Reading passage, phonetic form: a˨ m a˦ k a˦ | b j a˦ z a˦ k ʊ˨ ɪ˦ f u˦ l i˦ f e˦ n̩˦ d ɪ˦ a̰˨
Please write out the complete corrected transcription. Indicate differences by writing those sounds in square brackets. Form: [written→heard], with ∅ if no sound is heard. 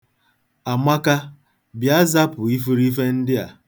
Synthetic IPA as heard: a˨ m a˦ k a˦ | b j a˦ z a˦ [k→p] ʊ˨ [ɪ˦→i˦] f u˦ [l→ɾ] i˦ f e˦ n̩˦ d ɪ˦ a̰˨